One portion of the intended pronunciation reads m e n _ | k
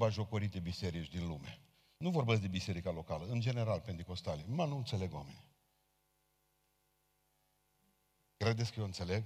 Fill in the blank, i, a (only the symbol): i